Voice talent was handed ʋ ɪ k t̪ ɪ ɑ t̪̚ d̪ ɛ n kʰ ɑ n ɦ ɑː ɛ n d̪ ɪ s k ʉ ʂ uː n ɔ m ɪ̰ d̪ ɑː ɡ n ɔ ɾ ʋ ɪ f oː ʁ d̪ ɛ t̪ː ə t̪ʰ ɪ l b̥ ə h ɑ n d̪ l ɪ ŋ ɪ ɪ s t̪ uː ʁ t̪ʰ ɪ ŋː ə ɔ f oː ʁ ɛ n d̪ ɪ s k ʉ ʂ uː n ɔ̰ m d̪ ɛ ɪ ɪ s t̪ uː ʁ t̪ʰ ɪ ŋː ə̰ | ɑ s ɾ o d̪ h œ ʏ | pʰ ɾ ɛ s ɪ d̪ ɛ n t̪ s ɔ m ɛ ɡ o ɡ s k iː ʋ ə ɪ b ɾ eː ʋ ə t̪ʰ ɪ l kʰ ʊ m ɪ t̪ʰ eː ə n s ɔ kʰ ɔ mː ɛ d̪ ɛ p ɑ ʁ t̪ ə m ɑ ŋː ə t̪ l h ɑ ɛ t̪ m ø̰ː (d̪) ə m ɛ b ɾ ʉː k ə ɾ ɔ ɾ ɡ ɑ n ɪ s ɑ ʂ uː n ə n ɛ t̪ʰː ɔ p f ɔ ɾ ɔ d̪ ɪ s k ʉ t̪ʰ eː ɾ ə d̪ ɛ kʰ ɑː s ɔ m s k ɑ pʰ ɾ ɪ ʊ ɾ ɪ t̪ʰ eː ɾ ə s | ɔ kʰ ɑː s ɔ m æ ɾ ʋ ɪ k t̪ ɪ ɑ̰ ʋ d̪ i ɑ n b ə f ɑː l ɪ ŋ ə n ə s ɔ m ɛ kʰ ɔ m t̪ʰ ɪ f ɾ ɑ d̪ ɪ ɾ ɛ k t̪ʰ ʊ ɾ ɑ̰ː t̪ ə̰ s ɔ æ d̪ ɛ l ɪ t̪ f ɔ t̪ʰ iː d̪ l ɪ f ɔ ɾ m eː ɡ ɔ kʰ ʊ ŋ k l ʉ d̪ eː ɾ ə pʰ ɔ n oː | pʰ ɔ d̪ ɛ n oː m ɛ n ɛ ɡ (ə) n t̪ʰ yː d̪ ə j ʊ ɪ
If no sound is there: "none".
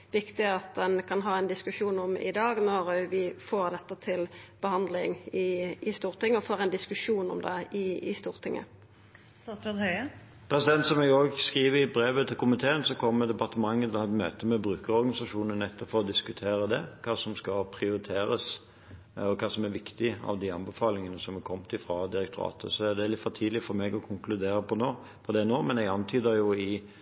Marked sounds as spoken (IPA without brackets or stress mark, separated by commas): t̪, ɑ